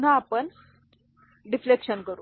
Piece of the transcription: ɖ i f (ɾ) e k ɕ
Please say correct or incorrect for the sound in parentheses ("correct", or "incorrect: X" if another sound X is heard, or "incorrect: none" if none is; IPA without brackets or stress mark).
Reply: incorrect: l